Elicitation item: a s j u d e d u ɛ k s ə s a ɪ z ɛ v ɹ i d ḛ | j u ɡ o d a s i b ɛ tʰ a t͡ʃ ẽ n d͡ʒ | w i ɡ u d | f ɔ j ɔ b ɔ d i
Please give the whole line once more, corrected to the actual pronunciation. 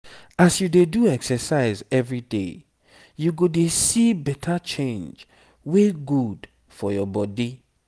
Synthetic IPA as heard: a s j u d e d u ɛ k s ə s a ɪ z ɛ v ɹ i d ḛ | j u ɡ o d e s i b ɛ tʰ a t͡ʃ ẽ n d͡ʒ | w e ɡ u d | f ɔ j ɔ b ɔ d i

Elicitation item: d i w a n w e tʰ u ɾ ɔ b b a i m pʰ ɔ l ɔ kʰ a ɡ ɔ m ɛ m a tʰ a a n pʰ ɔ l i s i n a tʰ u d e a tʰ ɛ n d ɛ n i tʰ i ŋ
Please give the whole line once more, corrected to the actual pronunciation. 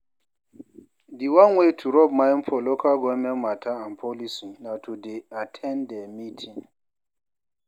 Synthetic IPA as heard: d i w a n w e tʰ u ɾ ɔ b m a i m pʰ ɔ l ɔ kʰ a ɡ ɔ m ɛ m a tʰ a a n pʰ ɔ l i s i n a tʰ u d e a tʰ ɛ n d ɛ m i tʰ i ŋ

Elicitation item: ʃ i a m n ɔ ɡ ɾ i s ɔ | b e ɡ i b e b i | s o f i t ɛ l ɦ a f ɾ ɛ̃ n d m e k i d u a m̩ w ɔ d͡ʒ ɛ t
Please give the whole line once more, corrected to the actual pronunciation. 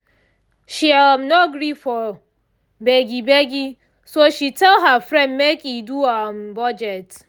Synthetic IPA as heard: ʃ i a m n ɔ ɡ ɾ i f ɔ | b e ɡ i b e ɡ i | s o ʃ i t ɛ l ɦ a f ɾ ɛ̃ n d m e k i d u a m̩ b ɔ d͡ʒ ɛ t

